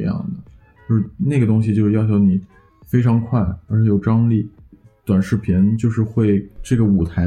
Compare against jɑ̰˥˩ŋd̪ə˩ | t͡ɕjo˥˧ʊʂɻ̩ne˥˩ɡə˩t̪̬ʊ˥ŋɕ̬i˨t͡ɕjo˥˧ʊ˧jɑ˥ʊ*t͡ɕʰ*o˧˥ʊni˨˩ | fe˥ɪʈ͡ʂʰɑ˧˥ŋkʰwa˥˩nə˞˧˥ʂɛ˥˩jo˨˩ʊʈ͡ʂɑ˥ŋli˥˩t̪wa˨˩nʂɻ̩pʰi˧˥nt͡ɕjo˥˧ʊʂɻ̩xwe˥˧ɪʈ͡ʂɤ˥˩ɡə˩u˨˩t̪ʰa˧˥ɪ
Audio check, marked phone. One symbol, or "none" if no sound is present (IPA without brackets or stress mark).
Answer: t͡ɕʰ